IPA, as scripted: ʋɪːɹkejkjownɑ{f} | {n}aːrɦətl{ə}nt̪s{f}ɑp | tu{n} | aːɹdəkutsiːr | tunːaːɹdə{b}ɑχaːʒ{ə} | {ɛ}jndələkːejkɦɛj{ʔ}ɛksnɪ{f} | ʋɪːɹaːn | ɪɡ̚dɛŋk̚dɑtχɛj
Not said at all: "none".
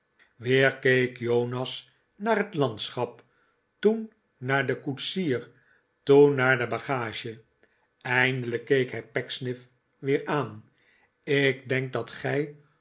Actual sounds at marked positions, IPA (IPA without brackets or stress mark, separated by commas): s, n, ɑ, χ, nː, b, ə, ɛ, p, f